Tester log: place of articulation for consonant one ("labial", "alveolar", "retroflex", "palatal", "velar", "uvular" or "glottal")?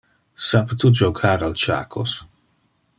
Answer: alveolar